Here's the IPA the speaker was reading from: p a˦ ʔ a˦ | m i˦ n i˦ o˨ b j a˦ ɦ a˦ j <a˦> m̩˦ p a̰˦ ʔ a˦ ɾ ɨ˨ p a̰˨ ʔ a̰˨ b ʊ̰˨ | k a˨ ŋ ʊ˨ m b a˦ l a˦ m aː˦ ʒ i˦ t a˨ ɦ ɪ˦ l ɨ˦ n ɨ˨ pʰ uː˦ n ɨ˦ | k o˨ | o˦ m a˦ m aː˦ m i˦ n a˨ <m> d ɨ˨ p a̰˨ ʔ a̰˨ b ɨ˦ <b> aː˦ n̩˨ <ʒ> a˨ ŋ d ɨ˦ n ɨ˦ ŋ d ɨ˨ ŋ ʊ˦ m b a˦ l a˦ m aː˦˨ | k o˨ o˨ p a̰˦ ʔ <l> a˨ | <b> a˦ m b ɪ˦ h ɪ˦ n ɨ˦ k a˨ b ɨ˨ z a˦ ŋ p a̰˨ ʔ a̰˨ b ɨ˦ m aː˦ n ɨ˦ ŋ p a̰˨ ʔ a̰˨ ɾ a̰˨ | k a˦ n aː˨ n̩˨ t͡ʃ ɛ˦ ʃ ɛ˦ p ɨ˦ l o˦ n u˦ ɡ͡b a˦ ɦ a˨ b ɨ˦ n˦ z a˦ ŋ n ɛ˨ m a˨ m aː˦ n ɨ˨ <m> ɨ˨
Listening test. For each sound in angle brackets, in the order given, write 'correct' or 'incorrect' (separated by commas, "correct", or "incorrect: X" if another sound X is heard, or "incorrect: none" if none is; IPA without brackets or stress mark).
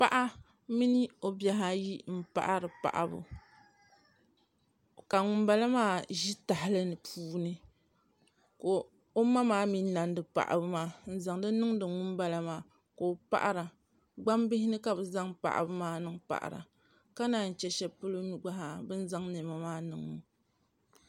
incorrect: i˦, incorrect: n, incorrect: m, incorrect: z, incorrect: ɾ, incorrect: ɡ͡b, incorrect: ŋ